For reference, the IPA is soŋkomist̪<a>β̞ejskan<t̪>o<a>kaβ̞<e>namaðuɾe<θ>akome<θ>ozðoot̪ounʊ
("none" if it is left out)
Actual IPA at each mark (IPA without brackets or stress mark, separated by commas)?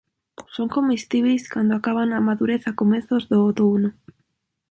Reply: i, d̪, a, a, θ, θ